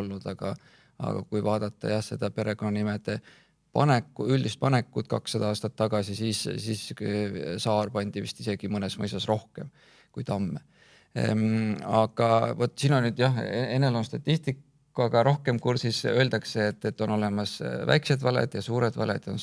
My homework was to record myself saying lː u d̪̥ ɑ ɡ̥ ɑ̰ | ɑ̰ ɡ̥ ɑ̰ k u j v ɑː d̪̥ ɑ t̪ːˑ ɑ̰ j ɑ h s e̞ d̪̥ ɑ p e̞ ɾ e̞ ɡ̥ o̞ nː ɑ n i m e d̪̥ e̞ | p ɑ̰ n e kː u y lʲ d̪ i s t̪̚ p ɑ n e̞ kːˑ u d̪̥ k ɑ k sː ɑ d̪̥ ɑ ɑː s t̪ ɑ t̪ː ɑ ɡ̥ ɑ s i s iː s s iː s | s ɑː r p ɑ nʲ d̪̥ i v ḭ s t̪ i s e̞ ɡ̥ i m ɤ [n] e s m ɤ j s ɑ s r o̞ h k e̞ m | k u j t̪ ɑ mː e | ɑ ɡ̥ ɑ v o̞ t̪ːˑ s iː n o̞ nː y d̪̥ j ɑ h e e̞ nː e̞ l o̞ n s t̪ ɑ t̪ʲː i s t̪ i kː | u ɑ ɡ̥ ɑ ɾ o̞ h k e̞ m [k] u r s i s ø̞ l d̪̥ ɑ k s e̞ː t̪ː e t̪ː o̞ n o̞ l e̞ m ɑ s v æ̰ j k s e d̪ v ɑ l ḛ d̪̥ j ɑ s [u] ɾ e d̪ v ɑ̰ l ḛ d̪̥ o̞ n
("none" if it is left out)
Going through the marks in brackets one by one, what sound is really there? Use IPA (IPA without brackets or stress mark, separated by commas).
n, k, uː